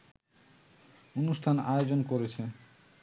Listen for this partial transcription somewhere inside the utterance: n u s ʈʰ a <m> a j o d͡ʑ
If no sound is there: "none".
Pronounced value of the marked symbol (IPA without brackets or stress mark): n